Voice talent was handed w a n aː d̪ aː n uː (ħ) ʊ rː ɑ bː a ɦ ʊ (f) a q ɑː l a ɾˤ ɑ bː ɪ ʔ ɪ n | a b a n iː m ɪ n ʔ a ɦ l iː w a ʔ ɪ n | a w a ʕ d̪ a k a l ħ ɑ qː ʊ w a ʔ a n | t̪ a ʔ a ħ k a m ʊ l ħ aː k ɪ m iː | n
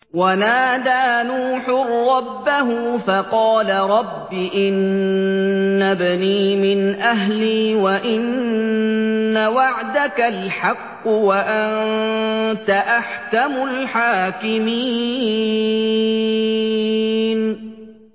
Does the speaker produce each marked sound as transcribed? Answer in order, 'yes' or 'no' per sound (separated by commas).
yes, yes